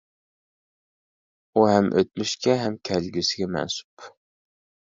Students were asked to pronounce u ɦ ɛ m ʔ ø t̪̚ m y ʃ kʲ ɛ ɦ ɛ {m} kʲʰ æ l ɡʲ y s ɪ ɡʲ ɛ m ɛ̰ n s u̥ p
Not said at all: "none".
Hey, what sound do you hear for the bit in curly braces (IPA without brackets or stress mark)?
m